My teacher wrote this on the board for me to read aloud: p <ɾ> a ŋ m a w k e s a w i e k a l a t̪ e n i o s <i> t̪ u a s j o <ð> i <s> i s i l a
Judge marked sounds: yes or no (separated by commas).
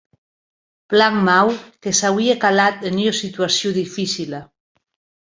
no, yes, yes, no